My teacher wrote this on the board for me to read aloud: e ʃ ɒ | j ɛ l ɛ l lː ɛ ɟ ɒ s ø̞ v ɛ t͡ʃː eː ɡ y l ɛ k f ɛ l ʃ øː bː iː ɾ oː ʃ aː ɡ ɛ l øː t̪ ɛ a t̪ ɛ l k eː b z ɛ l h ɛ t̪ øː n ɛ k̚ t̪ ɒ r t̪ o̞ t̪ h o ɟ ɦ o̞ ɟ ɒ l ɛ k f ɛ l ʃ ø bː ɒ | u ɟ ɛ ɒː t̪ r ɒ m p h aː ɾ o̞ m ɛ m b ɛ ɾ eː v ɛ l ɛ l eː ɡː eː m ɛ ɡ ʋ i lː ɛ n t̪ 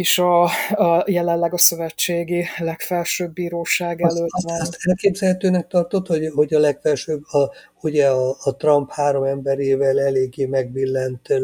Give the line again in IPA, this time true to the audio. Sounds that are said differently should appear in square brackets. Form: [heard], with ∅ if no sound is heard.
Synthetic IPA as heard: e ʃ ɒ | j ɛ l ɛ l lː ɛ [ɡ] ɒ s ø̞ v ɛ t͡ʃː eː ɡ [i] l ɛ k f ɛ l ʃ øː bː iː ɾ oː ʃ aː ɡ ɛ l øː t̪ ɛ a t̪ ɛ l k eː b z ɛ l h ɛ t̪ øː n ɛ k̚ t̪ ɒ r t̪ o̞ t̪ h o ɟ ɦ o̞ ɟ ɒ l ɛ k f ɛ l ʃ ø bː ɒ | u ɟ ɛ ɒː t̪ r ɒ m p h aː ɾ o̞ m ɛ m b ɛ ɾ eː v ɛ l ɛ l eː ɡː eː m ɛ ɡ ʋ i lː ɛ n t̪